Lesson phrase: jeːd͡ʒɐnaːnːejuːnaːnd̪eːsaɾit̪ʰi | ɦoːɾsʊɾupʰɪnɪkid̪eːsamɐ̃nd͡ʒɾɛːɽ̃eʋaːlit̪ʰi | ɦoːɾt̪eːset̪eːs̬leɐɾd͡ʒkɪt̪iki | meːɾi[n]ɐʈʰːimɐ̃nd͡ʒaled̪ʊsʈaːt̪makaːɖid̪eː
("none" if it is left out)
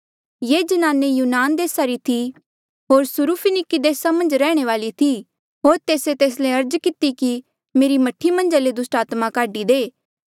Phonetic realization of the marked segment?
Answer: m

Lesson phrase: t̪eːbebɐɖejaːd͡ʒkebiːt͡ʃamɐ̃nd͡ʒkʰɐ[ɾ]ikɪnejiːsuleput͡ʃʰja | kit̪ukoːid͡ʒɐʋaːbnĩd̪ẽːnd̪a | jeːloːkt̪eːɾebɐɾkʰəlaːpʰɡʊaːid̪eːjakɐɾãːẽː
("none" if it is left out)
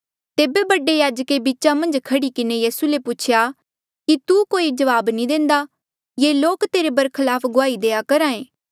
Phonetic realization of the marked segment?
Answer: ɽ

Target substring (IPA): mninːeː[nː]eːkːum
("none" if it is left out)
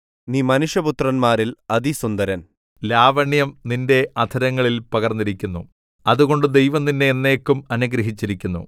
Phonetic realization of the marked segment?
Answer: nː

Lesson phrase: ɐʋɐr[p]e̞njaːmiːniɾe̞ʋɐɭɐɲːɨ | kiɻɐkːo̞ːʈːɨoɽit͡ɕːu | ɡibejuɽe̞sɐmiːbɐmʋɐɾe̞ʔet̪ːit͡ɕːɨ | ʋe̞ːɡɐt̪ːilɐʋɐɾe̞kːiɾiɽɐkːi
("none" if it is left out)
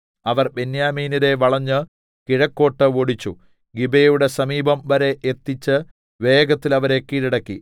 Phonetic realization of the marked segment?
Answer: b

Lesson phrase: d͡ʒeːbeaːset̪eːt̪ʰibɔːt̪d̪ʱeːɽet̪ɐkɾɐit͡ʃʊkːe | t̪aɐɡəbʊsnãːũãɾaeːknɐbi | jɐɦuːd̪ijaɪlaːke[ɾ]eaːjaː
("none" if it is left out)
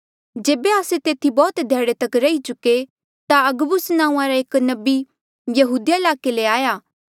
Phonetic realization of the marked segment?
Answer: l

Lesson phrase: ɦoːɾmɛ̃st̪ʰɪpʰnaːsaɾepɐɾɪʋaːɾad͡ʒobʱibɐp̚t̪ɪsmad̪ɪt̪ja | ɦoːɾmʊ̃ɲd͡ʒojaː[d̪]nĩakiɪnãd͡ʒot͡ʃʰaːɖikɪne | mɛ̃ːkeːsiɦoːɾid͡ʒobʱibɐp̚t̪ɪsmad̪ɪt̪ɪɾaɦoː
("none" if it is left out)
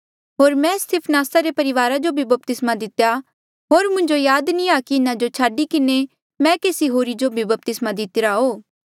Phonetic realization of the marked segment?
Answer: d̪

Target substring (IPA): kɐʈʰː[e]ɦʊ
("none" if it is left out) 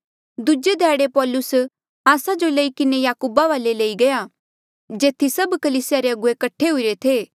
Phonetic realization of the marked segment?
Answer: e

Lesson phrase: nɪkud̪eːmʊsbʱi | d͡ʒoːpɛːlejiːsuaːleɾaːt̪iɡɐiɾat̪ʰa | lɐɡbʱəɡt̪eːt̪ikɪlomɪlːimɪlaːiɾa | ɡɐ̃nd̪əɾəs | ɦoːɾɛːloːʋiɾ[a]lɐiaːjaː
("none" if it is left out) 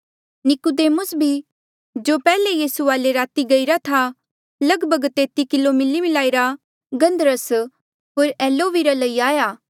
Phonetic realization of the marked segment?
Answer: a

